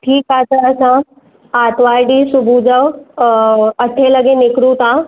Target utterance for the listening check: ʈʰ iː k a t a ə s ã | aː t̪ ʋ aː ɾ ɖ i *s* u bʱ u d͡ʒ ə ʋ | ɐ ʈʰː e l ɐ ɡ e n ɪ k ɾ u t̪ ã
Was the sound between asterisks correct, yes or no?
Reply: yes